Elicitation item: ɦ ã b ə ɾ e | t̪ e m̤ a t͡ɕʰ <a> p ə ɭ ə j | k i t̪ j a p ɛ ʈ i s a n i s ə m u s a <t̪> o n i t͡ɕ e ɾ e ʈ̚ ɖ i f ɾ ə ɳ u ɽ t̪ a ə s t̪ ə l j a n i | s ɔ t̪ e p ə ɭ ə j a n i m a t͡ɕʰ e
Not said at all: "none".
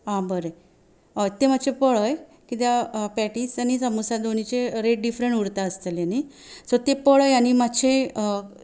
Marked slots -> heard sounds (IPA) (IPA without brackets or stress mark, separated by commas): e, d̪